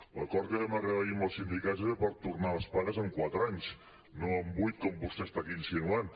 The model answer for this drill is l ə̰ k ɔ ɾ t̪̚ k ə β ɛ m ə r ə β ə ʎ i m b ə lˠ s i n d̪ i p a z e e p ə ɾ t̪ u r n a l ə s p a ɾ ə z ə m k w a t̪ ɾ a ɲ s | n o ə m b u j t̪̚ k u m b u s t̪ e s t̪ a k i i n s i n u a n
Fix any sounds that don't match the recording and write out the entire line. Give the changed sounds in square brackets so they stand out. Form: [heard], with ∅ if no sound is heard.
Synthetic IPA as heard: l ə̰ k ɔ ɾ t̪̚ k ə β ɛ m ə r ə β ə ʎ i m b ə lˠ s i n d̪ i [k] a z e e p ə ɾ t̪ u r n a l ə s p a ɾ ə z ə [ŋ] k w a t̪ ɾ a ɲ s | n o ə m b u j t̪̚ k [ɔ] m b u s t̪ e s t̪ a k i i n s i n u a n